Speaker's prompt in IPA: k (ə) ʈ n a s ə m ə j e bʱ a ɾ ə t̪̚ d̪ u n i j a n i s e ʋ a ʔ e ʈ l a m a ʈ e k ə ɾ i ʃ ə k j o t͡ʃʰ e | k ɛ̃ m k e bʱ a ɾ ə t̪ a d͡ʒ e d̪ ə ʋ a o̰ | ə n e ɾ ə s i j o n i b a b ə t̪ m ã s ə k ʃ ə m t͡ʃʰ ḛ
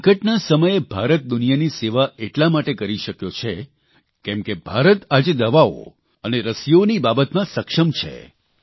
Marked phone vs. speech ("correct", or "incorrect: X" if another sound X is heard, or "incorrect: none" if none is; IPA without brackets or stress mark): correct